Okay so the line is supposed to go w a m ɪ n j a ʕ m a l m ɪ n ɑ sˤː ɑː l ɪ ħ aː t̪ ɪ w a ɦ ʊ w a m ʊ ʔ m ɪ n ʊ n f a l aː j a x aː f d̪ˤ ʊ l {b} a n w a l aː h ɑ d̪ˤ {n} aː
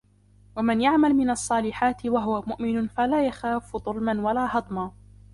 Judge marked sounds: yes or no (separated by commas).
no, no